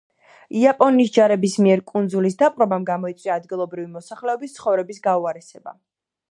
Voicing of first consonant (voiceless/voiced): voiceless